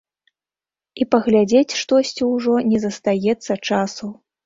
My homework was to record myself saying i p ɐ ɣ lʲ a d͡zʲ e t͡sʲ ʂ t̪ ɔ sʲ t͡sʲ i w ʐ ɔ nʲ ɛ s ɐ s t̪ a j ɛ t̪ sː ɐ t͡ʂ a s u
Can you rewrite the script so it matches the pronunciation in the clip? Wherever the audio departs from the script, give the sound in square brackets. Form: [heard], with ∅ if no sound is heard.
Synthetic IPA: i p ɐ ɣ lʲ a d͡zʲ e t͡sʲ ʂ t̪ ɔ sʲ t͡sʲ i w ʐ ɔ nʲ ɛ [z] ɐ s t̪ a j ɛ t̪ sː ɐ t͡ʂ a s u